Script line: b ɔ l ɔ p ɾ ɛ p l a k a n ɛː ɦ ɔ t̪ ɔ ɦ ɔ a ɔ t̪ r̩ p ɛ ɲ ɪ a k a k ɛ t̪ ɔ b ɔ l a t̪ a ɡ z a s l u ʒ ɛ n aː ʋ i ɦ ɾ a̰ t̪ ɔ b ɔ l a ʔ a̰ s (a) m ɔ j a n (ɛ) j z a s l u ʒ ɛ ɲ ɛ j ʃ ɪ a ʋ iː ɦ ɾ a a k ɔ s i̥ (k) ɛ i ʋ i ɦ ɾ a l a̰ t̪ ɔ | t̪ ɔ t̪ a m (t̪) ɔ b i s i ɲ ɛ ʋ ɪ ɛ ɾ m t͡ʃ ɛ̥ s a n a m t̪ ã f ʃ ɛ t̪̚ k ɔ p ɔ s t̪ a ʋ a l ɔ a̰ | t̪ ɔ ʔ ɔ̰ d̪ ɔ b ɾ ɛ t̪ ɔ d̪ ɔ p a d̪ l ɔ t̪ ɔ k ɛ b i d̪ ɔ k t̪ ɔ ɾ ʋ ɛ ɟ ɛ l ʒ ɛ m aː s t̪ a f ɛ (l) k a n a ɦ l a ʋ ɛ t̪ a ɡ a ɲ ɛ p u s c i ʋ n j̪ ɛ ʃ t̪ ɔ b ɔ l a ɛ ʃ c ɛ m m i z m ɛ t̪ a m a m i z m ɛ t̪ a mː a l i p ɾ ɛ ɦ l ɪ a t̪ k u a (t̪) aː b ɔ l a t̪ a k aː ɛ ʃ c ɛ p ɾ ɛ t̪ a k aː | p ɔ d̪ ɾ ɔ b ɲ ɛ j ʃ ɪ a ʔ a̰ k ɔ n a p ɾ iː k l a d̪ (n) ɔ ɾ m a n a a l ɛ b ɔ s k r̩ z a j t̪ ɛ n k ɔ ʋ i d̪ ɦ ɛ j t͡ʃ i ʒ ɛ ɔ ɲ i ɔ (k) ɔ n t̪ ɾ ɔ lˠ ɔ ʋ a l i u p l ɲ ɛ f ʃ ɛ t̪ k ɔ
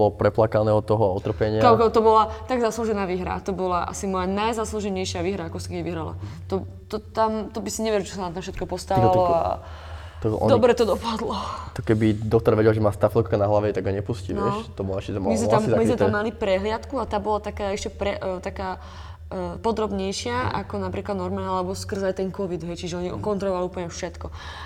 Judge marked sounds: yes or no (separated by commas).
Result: no, no, yes, yes, yes, yes, yes, yes